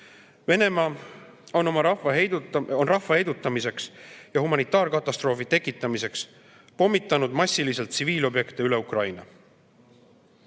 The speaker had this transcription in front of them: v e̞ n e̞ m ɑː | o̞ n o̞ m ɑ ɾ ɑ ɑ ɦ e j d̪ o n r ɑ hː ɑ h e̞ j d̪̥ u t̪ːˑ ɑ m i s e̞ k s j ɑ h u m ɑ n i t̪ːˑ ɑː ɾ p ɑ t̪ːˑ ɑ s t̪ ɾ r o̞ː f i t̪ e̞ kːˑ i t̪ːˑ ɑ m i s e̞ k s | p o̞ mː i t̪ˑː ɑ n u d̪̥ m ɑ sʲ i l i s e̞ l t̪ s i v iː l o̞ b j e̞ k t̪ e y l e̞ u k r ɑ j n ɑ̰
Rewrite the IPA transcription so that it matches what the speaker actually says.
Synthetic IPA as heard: v e̞ n e̞ m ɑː | o̞ n o̞ m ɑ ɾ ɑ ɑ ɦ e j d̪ o n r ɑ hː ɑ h e̞ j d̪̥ u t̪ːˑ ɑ m i s e̞ k s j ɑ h u m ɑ n i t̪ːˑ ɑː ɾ k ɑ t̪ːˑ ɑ s t̪ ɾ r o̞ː f i t̪ e̞ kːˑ i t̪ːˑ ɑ m i s e̞ k s | p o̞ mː i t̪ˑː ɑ n u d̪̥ m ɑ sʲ i l i s e̞ l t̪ s i v iː l o̞ b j e̞ k t̪ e y l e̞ u k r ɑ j n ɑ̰